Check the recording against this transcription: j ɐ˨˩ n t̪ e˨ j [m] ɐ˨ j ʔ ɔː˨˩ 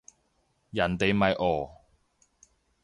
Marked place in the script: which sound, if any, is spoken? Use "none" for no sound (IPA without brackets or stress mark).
m